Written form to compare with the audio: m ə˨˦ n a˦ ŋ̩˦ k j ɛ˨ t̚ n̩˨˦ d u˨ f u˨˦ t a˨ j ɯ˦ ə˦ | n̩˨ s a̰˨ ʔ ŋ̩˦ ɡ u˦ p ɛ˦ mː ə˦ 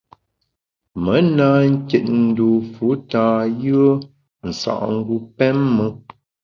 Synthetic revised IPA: m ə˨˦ n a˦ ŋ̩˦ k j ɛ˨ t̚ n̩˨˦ d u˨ f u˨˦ t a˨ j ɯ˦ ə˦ | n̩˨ s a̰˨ ʔ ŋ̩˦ ɡ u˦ p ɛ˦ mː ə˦